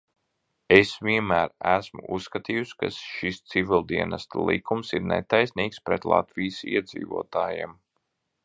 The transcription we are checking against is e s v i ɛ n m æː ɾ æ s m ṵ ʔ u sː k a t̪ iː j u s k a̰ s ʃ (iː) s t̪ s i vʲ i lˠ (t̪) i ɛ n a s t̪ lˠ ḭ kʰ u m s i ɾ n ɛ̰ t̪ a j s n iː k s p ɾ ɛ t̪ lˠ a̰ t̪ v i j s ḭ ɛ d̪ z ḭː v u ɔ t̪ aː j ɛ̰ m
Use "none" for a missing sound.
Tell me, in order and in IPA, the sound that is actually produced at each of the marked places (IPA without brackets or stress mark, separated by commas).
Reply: i, d̪